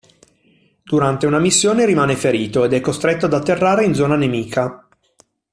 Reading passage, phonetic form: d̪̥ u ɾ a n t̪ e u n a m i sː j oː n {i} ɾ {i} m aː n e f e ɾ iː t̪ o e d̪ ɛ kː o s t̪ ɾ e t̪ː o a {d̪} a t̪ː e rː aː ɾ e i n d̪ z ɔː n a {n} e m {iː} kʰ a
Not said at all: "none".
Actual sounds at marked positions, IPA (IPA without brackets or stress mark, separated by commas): e, i, d̪, n, iː